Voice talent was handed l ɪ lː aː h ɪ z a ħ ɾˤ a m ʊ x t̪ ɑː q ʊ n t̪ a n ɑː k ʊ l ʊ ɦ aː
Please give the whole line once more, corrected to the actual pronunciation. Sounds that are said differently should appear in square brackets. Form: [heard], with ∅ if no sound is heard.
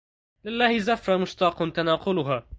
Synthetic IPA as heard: l ɪ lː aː h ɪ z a [f] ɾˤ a m ʊ [ʃ] t̪ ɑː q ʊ n t̪ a n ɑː [q] ʊ l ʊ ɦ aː